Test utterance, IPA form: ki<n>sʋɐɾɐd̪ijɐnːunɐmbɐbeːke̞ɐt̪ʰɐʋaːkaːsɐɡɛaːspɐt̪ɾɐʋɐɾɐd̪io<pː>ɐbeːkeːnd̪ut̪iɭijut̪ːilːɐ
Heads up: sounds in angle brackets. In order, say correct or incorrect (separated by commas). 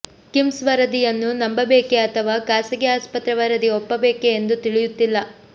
incorrect, correct